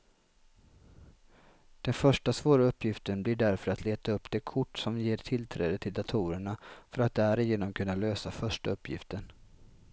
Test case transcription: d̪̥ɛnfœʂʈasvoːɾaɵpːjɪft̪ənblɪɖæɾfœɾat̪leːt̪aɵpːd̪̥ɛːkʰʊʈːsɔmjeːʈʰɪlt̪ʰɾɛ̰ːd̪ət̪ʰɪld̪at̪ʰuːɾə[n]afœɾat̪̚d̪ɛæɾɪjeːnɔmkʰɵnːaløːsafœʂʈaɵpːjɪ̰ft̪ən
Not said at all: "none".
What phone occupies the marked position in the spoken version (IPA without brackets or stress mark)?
ɳ